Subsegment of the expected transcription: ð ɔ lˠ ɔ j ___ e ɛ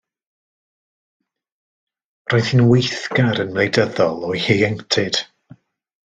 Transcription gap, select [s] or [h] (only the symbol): h